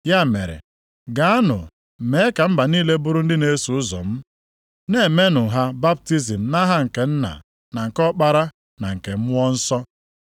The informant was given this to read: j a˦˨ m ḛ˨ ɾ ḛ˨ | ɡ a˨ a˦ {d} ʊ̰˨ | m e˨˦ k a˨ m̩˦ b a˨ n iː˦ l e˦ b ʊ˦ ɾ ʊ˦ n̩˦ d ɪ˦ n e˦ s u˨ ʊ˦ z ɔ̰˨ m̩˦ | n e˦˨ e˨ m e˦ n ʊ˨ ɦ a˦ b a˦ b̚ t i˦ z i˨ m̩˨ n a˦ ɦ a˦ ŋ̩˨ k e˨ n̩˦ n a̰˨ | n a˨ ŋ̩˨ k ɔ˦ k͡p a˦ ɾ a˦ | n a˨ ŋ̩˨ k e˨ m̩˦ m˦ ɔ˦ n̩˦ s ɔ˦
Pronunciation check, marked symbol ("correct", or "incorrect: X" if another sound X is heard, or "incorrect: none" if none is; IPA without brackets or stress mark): incorrect: n